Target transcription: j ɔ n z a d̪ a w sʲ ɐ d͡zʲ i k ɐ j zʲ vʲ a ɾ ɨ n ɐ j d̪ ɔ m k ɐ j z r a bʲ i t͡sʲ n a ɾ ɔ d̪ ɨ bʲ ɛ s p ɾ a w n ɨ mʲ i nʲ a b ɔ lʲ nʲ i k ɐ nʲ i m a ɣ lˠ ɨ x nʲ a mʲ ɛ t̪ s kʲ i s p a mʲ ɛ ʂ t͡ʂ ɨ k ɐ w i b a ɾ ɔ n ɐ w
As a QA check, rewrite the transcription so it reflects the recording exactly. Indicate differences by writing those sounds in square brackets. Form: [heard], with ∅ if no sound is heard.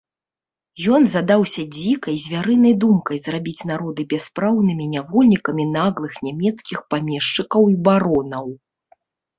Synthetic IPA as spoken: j ɔ n z a d̪ a w sʲ ɐ d͡zʲ i k ɐ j zʲ vʲ a ɾ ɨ n ɐ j d̪ [u] m k ɐ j z r a bʲ i t͡sʲ n a ɾ ɔ d̪ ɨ bʲ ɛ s p ɾ a w n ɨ mʲ i nʲ a [v] ɔ lʲ nʲ i k ɐ [mʲ] i [n] a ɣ lˠ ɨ x nʲ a mʲ ɛ t̪ s kʲ i [x] p a mʲ ɛ ʂ t͡ʂ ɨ k ɐ w i b a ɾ ɔ n ɐ w